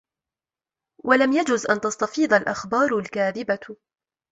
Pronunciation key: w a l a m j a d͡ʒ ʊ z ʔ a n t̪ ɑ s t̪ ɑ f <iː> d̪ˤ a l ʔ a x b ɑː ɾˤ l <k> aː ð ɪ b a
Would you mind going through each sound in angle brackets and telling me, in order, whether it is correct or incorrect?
correct, correct

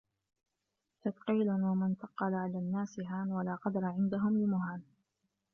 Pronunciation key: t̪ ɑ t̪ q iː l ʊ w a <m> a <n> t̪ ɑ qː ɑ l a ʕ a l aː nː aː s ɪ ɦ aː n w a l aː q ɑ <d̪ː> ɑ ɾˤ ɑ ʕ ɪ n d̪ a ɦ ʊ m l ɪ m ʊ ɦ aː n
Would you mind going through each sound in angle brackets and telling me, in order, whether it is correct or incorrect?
correct, correct, incorrect

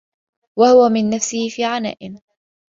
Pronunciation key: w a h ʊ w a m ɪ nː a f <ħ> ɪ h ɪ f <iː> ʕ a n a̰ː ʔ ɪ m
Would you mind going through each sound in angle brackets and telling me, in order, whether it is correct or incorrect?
incorrect, correct

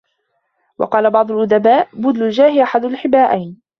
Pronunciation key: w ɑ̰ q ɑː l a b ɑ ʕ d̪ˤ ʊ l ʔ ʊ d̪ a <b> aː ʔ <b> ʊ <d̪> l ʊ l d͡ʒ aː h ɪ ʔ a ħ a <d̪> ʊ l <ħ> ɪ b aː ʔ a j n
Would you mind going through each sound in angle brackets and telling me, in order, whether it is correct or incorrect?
correct, correct, correct, correct, correct

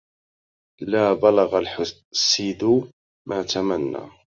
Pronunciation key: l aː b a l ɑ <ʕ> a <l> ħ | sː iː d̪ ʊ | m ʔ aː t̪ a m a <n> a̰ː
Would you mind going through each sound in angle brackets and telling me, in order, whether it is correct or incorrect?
incorrect, correct, incorrect

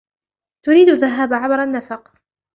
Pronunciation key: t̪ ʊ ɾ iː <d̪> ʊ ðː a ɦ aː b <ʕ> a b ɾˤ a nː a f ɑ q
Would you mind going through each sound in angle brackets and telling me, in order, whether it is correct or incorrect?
correct, correct

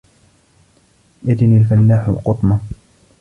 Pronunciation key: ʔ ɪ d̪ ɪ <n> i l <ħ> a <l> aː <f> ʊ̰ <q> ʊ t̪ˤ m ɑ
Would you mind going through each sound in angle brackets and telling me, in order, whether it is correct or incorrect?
correct, incorrect, incorrect, incorrect, correct

